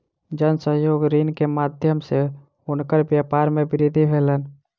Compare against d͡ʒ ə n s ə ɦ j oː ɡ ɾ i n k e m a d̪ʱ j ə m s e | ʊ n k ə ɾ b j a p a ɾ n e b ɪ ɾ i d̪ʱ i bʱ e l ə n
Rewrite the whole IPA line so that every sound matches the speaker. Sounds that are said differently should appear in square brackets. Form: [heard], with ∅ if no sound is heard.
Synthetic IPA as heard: d͡ʒ ə n s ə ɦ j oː ɡ ɾ i n k e m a d̪ʱ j ə m s e | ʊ n k ə ɾ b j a p a ɾ [m] e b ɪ ɾ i d̪ʱ i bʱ e l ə n